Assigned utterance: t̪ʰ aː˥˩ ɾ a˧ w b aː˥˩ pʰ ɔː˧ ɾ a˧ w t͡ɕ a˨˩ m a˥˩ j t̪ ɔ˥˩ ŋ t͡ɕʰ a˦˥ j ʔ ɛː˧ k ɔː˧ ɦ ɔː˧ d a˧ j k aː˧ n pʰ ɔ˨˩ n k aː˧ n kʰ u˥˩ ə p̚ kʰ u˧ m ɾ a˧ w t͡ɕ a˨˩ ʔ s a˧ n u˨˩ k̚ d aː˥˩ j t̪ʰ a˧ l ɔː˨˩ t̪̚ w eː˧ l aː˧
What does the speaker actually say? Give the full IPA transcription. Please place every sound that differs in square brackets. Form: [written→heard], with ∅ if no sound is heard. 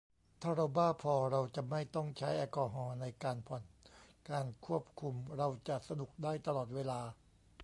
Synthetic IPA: t̪ʰ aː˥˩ ɾ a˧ w b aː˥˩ pʰ ɔː˧ ɾ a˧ w t͡ɕ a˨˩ m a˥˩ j t̪ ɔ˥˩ ŋ t͡ɕʰ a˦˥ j ʔ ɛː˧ k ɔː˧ ɦ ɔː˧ [d→n] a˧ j k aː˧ n pʰ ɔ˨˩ n k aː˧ n kʰ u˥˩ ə p̚ kʰ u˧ m ɾ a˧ w t͡ɕ a˨˩ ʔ s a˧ n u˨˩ k̚ d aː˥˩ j [t̪ʰ→t̪] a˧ l ɔː˨˩ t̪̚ w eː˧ l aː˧